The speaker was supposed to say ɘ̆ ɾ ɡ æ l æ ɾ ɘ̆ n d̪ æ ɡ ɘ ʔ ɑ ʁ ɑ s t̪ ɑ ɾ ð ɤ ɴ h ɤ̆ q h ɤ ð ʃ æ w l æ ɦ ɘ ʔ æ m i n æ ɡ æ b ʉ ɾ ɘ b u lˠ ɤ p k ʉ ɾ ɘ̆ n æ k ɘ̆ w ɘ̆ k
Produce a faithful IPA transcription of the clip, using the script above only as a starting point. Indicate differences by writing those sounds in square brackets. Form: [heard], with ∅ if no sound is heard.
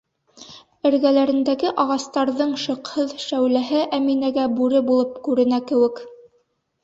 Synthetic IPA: ɘ̆ ɾ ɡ æ l æ ɾ ɘ̆ n d̪ æ ɡ ɘ ʔ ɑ ʁ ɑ s t̪ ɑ ɾ ð ɤ ɴ [ʃ] ɤ̆ q h ɤ ð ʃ æ w l æ ɦ ɘ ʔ æ m i n æ ɡ æ b ʉ ɾ ɘ b u lˠ ɤ p k ʉ ɾ ɘ̆ n æ k ɘ̆ w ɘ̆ k